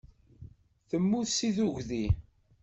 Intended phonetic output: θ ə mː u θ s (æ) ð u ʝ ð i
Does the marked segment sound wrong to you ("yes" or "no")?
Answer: yes